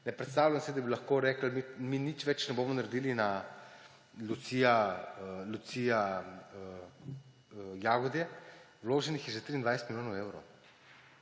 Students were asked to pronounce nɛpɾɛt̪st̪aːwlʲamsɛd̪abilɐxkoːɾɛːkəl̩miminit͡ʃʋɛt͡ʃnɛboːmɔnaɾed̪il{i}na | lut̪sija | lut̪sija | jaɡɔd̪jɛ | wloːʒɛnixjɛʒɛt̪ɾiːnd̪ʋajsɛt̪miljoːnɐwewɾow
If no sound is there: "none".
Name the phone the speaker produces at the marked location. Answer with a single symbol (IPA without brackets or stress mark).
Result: i